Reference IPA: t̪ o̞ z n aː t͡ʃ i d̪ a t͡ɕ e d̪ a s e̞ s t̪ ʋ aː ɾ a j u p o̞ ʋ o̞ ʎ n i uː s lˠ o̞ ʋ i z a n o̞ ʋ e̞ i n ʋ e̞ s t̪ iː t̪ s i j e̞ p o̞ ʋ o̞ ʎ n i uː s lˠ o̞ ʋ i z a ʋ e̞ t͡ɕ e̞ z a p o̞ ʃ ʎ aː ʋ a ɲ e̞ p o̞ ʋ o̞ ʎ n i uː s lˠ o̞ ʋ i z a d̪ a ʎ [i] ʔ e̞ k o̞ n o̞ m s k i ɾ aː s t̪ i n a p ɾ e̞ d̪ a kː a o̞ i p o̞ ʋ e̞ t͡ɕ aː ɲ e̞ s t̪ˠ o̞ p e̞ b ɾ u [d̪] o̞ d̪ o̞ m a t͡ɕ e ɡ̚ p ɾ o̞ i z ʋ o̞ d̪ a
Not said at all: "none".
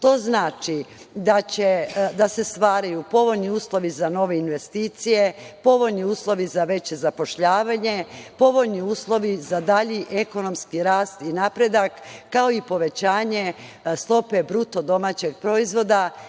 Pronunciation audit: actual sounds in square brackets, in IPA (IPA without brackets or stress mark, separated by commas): i, t̪